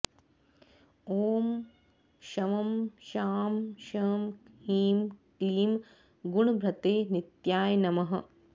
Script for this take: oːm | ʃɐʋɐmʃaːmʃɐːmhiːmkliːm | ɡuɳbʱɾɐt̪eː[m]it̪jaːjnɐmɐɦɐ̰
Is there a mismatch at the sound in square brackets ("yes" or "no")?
yes